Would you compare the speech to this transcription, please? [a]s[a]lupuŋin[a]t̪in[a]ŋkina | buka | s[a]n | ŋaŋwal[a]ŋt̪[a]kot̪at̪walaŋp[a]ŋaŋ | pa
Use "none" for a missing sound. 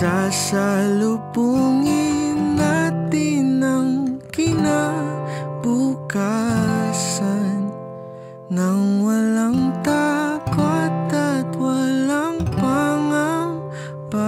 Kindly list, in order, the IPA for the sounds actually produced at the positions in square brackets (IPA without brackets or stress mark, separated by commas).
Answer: a, a, a, a, a, a, a, a